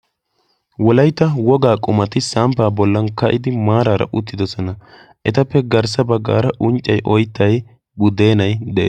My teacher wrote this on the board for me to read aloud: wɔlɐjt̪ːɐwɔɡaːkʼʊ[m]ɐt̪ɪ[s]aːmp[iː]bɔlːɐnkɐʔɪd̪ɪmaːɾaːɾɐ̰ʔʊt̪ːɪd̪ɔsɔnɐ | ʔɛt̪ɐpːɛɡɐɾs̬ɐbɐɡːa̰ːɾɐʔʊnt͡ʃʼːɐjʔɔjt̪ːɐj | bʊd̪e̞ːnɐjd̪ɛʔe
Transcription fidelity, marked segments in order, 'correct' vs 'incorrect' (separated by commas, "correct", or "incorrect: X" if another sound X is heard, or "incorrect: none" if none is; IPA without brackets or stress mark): correct, correct, incorrect: aː